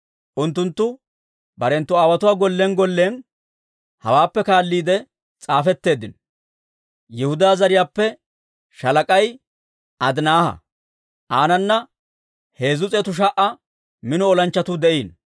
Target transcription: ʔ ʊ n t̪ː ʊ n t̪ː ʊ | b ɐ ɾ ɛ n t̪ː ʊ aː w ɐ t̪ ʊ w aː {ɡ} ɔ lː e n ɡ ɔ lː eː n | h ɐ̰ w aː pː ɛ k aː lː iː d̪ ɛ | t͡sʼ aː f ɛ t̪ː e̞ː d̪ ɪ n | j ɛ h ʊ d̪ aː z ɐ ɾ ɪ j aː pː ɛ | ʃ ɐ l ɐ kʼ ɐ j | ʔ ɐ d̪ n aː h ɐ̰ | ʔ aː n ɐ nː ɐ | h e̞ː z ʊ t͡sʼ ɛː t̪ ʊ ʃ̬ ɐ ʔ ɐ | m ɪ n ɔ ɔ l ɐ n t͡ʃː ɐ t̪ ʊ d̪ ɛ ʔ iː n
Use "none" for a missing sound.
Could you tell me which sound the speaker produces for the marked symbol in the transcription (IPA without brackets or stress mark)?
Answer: ɡ